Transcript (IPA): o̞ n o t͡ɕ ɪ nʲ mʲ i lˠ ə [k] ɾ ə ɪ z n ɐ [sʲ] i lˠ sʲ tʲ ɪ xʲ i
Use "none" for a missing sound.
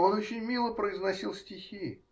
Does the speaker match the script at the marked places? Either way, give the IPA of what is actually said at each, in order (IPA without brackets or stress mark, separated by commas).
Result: p, sʲ